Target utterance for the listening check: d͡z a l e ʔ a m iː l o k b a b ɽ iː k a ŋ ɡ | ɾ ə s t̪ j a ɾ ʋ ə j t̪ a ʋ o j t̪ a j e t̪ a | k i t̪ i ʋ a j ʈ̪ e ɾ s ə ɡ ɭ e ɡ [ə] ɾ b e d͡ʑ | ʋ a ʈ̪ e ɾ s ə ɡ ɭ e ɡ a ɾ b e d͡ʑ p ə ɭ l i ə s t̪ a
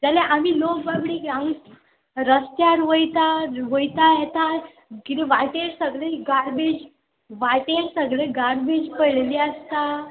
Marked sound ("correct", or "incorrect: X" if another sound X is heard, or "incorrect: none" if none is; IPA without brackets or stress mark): incorrect: a